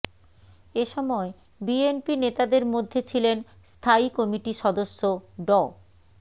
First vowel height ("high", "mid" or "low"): mid